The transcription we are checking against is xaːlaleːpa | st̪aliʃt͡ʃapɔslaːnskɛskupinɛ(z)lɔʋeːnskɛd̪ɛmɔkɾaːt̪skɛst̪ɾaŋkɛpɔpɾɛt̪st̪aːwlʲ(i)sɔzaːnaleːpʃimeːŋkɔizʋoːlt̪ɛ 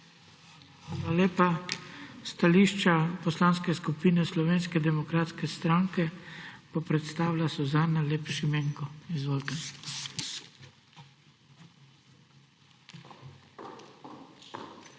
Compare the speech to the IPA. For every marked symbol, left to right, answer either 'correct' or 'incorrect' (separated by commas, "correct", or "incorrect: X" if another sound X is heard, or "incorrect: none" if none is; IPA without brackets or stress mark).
incorrect: s, incorrect: a